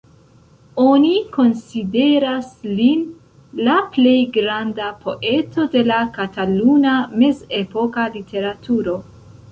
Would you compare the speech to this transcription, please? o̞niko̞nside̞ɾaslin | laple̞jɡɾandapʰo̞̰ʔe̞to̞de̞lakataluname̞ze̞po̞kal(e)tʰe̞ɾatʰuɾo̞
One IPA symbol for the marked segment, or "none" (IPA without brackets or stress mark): i